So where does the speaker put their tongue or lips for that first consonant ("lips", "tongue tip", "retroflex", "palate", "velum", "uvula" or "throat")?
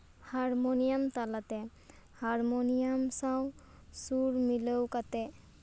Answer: throat